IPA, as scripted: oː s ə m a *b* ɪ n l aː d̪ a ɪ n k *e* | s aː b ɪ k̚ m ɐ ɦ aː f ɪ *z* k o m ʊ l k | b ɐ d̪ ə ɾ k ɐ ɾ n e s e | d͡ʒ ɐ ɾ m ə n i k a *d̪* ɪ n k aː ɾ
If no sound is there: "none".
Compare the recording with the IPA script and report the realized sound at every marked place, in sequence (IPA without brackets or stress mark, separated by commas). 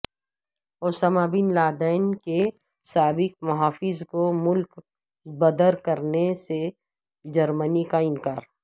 b, e, z, none